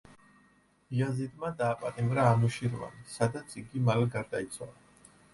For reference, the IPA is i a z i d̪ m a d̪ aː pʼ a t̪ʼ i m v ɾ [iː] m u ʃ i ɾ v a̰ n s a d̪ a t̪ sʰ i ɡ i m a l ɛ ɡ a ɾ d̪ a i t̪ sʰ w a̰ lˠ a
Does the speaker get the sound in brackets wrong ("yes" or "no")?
yes